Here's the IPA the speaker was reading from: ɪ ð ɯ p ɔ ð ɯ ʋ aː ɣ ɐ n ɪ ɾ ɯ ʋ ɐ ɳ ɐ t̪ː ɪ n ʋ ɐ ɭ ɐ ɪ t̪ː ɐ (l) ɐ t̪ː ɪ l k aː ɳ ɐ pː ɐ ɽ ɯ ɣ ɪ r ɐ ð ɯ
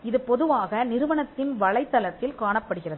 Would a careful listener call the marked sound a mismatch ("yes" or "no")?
no